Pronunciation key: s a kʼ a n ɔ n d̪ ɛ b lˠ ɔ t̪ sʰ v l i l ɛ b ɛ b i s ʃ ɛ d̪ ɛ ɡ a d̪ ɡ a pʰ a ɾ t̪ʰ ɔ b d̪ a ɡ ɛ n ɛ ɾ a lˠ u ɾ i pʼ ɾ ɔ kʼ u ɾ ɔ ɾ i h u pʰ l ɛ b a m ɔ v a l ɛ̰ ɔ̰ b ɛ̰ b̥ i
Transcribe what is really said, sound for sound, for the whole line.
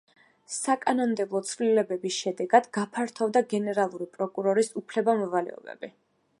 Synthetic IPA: s a kʼ a n ɔ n d̪ ɛ b lˠ ɔ t̪ sʰ v l i l ɛ b ɛ b i s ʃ ɛ d̪ ɛ ɡ a d̪ ɡ a pʰ a ɾ t̪ʰ ɔ v d̪ a ɡ ɛ n ɛ ɾ a lˠ u ɾ i pʼ ɾ ɔ kʼ u ɾ ɔ ɾ i s u pʰ l ɛ b a m ɔ v a l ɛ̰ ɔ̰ b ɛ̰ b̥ i